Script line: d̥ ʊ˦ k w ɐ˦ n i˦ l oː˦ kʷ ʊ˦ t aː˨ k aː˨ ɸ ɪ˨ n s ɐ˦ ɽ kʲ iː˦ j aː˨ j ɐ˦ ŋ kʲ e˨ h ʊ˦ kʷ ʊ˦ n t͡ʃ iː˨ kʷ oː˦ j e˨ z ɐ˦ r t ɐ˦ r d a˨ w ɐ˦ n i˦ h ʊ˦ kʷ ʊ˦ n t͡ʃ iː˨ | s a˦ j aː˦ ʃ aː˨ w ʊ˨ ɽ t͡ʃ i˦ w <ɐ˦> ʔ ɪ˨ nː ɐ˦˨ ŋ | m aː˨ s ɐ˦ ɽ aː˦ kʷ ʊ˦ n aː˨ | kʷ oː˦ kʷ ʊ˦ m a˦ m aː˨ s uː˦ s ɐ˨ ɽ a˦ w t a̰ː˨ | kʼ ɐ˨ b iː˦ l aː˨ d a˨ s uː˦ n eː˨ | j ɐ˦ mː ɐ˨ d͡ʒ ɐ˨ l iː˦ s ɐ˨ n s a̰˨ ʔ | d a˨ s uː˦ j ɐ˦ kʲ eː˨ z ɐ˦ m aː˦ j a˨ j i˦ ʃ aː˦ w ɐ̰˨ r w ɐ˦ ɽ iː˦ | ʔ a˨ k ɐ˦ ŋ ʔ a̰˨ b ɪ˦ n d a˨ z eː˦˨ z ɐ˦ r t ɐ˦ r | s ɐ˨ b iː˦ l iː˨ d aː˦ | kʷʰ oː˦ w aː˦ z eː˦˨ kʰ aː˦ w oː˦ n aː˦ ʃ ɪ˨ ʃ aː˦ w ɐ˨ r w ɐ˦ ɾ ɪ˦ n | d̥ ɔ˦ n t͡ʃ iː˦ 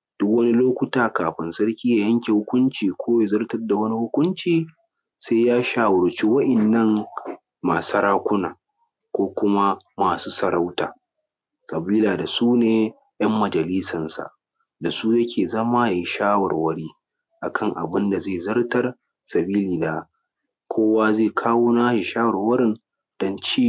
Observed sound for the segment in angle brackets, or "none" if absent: ɐ˦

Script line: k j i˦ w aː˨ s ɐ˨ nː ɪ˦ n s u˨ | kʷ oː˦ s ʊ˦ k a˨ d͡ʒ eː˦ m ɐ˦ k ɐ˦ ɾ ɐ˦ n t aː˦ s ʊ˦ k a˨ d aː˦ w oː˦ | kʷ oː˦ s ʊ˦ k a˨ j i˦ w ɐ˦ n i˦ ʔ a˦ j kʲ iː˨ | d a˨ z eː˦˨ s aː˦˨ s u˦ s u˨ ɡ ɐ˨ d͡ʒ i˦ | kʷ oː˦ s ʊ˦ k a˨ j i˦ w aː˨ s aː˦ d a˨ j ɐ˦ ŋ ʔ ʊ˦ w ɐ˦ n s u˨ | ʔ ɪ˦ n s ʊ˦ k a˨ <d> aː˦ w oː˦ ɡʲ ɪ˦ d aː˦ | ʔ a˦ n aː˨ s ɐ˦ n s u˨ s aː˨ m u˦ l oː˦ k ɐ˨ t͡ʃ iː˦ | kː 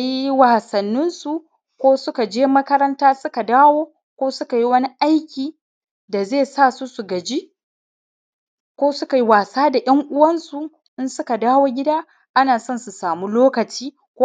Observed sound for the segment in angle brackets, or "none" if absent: d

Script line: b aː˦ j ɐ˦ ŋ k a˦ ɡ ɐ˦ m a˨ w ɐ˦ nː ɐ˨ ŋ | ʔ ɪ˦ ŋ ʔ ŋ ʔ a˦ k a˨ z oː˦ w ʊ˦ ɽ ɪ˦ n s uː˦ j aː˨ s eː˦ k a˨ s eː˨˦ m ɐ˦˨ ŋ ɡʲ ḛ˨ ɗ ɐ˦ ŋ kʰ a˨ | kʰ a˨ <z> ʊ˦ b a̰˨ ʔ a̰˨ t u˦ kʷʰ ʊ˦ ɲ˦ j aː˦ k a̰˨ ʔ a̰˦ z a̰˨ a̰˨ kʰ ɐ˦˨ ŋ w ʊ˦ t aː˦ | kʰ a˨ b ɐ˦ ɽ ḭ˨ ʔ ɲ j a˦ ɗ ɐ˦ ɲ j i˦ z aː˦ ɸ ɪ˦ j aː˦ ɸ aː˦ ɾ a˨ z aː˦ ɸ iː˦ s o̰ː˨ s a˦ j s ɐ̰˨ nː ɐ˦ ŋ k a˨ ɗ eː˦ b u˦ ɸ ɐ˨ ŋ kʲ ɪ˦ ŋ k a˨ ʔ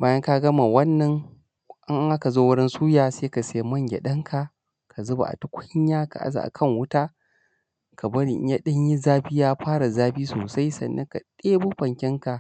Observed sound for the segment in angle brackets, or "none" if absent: z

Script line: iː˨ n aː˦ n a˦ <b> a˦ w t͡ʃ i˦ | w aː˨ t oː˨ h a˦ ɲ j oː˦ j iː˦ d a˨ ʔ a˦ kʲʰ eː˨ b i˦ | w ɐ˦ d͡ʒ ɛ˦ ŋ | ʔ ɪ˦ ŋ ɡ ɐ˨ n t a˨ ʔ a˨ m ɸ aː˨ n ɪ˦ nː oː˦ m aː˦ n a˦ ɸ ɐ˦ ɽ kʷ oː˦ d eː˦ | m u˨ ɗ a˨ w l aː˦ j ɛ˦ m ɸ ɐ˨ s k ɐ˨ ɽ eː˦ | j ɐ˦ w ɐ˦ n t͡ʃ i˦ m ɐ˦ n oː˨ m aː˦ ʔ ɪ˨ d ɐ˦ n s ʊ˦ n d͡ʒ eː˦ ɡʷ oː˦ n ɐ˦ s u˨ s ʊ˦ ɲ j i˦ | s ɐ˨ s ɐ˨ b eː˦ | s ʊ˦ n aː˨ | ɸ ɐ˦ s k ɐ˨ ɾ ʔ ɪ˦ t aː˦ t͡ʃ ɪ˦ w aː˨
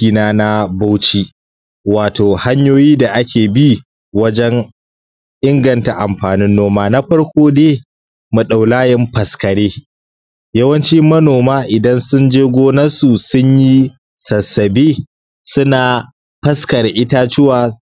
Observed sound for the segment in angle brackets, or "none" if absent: b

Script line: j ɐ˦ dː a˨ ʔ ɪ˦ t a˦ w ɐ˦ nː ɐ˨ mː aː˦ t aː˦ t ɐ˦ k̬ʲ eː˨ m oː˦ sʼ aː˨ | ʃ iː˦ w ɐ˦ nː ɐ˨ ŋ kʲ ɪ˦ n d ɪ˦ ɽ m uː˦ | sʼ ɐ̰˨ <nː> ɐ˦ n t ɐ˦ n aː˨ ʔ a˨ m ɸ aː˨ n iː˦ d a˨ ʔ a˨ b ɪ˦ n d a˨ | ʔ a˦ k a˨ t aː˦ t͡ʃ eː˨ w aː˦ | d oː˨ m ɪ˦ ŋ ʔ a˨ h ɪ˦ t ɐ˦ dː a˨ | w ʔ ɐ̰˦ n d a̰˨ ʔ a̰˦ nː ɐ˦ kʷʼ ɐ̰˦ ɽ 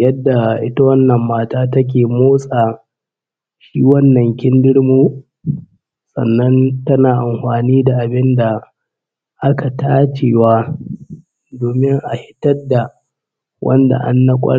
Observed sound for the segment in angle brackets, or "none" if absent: nː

